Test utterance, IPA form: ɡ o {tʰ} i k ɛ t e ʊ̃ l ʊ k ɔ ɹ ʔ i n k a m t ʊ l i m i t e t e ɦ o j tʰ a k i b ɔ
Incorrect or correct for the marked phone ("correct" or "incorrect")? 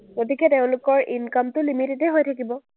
incorrect